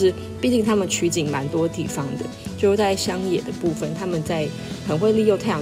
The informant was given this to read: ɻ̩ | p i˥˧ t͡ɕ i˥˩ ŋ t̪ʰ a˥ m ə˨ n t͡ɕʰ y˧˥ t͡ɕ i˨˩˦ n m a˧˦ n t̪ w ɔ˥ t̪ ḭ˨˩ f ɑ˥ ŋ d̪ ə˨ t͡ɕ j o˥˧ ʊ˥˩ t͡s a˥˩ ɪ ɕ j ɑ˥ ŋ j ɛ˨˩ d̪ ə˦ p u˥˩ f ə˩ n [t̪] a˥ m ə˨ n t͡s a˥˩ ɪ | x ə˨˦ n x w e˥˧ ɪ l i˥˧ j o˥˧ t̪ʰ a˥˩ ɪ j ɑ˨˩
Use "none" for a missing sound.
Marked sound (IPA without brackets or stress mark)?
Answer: t̪ʰ